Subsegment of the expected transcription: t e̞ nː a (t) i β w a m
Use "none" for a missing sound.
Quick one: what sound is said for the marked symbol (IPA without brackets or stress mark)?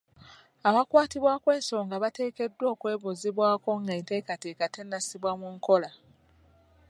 s